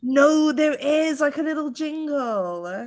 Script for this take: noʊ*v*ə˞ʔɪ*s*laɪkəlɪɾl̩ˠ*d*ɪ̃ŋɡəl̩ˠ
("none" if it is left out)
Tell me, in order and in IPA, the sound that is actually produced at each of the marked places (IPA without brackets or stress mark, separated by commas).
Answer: ð, z, d͡ʒ